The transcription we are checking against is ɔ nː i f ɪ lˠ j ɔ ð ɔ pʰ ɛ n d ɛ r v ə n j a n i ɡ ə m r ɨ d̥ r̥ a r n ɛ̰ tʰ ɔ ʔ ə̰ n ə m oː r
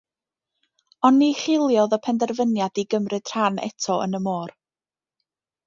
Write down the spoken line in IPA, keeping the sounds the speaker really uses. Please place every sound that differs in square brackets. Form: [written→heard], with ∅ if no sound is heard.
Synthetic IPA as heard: ɔ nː i [f→χ] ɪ lˠ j ɔ ð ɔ pʰ ɛ n d ɛ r v ə n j a [n→d] i ɡ ə m r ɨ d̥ r̥ a [r→∅] n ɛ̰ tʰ ɔ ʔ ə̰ n ə m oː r